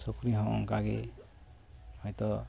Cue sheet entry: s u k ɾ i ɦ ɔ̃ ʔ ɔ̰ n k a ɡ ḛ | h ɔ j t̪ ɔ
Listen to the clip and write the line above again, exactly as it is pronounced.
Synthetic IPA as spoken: s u k ɾ i ɦ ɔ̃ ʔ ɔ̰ ŋ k a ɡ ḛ | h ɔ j t̪ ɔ